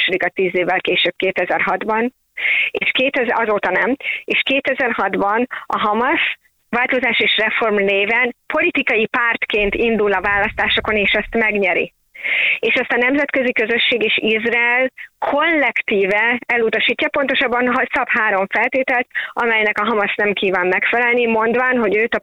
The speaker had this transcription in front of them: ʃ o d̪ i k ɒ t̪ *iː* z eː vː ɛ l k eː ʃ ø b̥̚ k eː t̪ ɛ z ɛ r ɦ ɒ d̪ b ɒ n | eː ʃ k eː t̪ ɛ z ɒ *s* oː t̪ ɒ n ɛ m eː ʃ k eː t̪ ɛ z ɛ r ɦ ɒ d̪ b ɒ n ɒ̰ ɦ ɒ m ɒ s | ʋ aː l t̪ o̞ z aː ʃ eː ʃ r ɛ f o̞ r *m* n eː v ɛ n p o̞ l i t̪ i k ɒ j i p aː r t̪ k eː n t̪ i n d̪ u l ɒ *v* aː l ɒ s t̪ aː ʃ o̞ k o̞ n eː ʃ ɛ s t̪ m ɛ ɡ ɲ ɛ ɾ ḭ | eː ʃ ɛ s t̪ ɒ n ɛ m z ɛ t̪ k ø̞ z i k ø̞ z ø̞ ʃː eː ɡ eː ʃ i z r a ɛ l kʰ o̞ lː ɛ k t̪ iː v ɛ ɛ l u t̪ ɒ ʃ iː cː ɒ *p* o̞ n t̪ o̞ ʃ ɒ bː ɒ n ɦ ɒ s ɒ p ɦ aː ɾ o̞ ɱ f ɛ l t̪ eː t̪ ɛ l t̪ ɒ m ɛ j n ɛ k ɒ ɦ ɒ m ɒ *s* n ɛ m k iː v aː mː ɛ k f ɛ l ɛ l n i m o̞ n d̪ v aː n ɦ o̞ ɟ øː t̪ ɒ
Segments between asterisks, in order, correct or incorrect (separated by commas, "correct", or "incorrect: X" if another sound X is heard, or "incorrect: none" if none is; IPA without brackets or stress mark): correct, incorrect: z, correct, correct, correct, correct